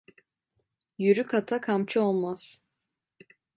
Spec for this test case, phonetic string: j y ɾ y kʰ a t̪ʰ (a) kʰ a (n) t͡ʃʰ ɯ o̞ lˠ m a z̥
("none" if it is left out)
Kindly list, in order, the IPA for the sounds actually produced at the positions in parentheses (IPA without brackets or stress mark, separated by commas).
a, m